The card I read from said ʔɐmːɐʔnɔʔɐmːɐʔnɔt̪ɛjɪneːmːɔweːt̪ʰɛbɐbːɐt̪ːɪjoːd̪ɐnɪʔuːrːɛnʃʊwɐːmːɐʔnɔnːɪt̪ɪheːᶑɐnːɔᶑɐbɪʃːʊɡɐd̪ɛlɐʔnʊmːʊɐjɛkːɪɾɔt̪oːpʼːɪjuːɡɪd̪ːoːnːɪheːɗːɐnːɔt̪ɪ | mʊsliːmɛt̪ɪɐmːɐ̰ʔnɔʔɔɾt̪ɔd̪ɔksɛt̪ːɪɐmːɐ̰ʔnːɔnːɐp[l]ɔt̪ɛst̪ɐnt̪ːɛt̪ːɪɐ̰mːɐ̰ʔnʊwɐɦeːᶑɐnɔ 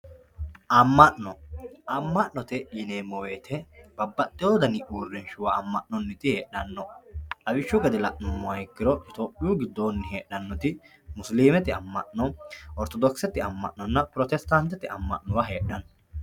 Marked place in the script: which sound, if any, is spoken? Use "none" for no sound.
ɾ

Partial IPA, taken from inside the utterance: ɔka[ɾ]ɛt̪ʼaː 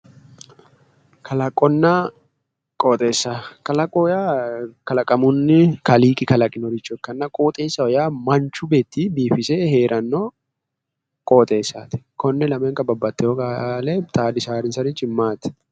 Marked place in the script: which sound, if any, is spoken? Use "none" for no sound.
l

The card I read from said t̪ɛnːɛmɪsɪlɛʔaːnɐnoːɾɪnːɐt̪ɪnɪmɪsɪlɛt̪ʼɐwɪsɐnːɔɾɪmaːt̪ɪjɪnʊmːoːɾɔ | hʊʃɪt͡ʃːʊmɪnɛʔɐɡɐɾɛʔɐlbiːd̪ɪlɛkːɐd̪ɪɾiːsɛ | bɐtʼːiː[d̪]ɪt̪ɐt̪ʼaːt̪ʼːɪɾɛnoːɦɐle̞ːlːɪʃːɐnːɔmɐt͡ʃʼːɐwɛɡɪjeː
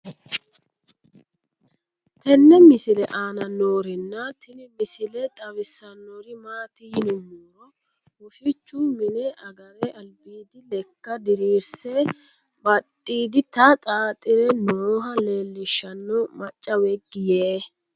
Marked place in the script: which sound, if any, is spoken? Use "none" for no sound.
d̪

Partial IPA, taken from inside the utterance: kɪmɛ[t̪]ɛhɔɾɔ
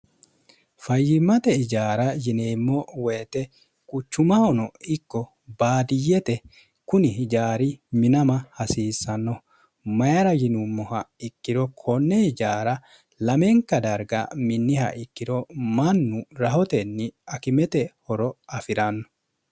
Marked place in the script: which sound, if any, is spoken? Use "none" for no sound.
t̪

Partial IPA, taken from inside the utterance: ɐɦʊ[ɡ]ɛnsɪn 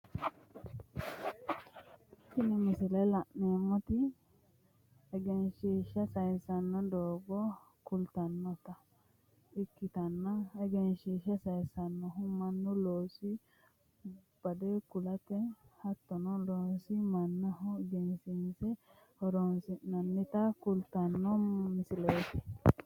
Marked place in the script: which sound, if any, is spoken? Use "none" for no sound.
ɡ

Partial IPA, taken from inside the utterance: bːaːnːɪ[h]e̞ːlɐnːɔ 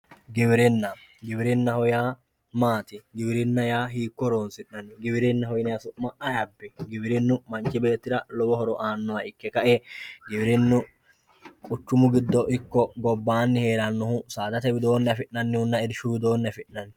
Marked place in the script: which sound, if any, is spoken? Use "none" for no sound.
h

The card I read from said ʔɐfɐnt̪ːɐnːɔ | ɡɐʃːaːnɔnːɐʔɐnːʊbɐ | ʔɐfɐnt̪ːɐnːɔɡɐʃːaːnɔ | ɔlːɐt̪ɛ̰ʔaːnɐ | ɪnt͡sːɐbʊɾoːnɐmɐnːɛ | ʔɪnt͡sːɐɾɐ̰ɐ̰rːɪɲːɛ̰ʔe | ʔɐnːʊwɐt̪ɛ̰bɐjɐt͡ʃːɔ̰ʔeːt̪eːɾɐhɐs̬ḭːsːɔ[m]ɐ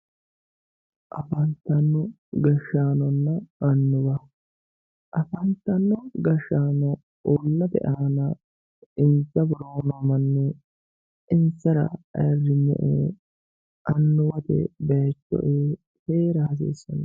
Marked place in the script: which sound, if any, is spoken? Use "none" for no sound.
n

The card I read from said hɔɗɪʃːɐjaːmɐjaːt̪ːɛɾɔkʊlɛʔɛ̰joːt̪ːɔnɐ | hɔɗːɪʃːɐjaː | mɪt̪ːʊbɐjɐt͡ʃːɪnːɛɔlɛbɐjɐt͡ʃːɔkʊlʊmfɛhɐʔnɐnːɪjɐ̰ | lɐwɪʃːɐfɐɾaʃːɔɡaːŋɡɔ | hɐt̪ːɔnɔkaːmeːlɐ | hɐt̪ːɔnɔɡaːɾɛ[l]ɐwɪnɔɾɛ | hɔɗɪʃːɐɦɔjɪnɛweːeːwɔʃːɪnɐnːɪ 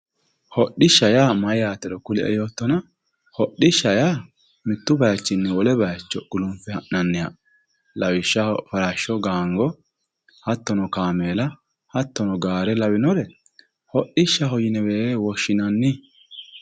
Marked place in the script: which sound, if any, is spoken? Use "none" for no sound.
l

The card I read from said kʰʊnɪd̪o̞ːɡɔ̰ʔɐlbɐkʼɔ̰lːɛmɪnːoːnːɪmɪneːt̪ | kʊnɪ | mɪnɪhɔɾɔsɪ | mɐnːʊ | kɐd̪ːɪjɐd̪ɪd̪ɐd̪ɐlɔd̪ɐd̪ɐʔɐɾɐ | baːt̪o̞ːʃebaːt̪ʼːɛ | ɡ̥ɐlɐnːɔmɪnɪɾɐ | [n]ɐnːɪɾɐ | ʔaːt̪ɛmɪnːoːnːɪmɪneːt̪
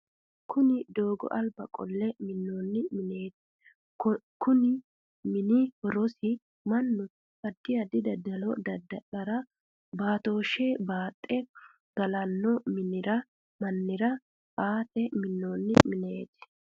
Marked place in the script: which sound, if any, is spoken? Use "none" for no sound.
m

